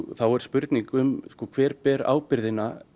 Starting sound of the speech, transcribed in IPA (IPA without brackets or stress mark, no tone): θ